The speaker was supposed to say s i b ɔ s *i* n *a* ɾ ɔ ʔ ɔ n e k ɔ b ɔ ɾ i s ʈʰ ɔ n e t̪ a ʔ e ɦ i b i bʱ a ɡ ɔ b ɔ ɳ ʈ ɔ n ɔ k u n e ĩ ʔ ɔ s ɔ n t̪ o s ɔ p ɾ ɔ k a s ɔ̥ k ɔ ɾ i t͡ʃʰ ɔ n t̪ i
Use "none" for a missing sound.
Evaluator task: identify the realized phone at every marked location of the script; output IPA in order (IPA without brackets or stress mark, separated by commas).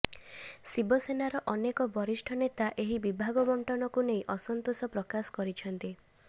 e, a